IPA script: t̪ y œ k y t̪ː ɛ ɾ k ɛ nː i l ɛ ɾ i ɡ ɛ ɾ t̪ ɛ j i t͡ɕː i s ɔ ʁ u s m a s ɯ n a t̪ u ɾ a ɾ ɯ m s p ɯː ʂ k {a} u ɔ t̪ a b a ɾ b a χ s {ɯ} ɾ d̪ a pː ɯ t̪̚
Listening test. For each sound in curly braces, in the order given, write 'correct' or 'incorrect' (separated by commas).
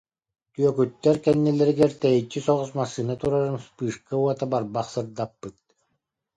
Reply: correct, correct